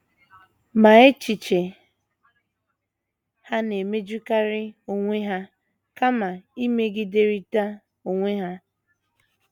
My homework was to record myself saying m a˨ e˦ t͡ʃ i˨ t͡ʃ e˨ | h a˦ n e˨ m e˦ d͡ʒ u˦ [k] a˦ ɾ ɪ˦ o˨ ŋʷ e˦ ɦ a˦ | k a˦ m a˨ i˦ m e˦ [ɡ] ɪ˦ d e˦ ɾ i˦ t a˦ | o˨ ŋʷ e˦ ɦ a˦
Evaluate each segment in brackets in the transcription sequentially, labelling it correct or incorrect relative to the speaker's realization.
correct, correct

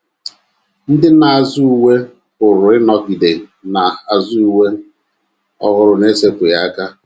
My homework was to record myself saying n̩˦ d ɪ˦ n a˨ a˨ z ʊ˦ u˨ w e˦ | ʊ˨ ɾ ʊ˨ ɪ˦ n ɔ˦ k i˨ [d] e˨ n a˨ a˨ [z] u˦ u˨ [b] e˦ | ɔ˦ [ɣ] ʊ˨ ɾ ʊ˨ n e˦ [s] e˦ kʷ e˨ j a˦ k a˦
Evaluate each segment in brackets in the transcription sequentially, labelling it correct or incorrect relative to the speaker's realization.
correct, correct, incorrect, correct, correct

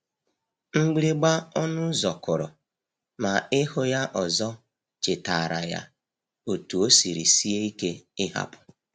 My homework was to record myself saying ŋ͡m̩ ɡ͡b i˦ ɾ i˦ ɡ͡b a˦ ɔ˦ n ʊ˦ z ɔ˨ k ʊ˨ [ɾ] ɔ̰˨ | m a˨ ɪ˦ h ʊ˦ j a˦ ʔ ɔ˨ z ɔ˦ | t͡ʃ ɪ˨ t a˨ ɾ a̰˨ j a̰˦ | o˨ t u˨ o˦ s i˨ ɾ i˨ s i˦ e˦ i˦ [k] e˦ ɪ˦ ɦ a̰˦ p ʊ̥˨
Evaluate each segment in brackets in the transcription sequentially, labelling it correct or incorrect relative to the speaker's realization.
correct, correct

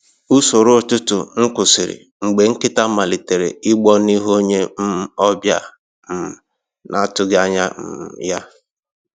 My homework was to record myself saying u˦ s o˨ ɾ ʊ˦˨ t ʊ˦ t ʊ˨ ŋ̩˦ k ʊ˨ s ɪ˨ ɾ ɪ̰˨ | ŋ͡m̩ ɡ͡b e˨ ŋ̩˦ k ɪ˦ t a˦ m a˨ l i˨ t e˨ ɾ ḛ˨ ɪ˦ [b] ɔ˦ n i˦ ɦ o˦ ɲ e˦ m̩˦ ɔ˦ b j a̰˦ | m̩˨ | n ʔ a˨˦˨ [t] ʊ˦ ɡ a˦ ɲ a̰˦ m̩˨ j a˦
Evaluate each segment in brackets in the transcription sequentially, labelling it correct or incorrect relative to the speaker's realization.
incorrect, correct

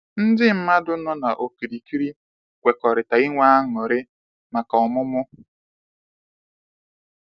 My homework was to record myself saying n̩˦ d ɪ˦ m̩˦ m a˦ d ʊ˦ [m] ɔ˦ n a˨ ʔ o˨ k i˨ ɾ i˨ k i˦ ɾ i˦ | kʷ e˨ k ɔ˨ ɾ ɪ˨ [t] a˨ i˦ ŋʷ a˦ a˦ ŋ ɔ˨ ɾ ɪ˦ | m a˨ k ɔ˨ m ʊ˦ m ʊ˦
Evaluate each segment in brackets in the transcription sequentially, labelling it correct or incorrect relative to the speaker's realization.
incorrect, correct

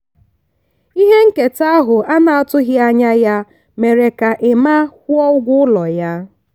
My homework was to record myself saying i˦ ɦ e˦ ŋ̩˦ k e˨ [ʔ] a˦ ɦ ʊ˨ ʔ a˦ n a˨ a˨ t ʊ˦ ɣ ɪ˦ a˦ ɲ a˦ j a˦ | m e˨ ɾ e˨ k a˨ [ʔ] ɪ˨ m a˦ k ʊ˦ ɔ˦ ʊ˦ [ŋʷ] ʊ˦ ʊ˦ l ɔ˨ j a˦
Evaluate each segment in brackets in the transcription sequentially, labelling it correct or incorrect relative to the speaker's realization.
incorrect, correct, incorrect

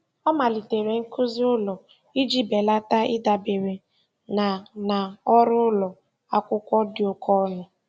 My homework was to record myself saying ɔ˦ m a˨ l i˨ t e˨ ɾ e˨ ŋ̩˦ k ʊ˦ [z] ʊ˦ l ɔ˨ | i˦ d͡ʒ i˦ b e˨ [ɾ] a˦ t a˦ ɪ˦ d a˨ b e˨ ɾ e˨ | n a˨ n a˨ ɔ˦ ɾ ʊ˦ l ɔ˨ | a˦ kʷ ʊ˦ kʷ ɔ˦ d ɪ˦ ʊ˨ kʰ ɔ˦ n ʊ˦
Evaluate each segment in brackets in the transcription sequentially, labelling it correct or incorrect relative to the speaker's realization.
correct, incorrect

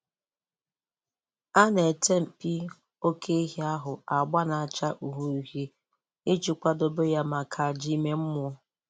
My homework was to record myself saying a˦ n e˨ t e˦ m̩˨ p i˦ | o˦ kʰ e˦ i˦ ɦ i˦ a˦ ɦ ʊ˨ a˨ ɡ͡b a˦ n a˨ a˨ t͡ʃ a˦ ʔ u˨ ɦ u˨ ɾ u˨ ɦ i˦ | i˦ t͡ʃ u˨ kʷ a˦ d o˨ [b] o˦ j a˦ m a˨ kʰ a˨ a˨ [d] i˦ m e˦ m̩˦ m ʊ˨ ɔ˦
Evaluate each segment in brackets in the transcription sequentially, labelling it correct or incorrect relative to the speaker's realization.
correct, incorrect

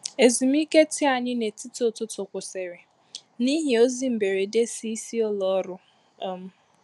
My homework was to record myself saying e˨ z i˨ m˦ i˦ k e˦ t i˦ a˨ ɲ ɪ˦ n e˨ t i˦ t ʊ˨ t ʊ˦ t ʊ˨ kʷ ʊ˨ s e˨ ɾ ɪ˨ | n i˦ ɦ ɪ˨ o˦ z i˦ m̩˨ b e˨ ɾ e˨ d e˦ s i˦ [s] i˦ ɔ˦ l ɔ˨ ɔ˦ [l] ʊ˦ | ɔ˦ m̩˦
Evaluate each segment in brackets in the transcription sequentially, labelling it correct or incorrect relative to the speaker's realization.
correct, incorrect

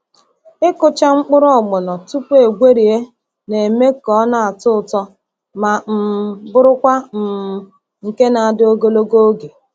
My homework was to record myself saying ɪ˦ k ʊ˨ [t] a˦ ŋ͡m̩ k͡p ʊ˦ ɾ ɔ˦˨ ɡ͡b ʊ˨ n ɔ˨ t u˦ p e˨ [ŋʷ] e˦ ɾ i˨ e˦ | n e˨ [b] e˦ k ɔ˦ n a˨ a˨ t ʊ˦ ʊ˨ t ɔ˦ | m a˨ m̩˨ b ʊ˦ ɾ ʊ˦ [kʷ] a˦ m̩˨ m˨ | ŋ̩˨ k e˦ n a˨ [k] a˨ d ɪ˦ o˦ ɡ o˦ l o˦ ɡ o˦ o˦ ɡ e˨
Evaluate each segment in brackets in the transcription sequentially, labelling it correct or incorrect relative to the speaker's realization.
incorrect, incorrect, incorrect, correct, incorrect

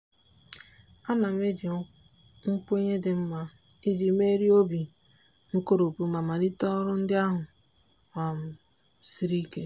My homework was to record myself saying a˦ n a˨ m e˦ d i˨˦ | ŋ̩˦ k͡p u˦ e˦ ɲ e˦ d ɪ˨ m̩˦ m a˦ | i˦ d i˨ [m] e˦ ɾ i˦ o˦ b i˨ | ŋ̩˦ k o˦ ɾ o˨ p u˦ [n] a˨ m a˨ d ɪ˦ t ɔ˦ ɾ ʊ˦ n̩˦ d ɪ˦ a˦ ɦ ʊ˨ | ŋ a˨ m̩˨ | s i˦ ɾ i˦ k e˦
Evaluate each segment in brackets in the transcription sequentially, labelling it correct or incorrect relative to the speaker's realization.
correct, incorrect

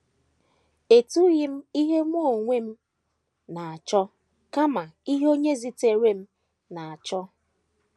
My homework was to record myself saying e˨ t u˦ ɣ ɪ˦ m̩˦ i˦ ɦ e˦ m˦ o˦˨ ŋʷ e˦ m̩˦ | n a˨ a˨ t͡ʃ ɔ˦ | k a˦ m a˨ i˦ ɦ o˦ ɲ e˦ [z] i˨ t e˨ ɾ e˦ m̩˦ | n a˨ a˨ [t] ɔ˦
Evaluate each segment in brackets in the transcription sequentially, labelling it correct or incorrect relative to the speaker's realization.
correct, incorrect

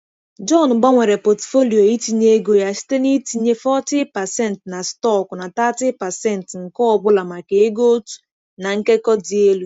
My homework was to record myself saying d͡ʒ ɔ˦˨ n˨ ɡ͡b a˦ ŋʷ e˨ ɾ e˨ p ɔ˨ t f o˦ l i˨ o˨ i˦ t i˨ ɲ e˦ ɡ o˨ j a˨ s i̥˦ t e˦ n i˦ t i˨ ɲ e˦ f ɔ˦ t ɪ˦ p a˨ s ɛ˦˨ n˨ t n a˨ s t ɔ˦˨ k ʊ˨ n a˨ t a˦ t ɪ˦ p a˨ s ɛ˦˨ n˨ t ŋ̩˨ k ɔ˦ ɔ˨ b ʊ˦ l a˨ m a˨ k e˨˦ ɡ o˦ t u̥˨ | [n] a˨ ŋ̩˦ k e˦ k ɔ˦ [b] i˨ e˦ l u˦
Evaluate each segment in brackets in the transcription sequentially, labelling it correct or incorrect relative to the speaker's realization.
correct, incorrect

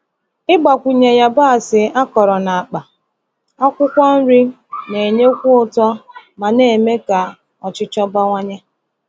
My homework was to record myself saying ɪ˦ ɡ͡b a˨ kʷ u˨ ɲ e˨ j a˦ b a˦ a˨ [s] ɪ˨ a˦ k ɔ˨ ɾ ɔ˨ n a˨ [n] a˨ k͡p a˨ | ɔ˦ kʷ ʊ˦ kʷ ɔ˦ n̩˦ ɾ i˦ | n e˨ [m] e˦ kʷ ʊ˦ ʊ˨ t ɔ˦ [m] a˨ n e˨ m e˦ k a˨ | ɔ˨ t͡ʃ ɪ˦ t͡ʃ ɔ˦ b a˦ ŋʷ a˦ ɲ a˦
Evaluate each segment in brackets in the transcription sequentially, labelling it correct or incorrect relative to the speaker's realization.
correct, incorrect, incorrect, correct

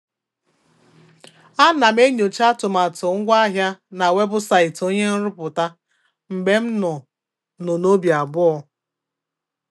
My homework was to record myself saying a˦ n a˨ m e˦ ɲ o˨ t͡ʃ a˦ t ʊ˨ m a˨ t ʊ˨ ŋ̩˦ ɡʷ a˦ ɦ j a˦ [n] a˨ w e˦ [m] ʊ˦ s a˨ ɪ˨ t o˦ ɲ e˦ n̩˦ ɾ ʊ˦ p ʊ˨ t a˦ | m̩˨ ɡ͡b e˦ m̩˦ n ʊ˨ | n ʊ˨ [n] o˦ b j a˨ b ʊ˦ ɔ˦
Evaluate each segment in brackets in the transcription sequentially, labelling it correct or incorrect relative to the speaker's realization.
correct, incorrect, correct

